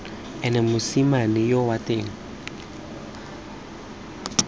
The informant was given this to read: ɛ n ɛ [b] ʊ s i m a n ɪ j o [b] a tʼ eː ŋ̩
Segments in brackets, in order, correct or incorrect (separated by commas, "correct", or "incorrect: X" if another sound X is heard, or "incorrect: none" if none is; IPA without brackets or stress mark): incorrect: m, incorrect: w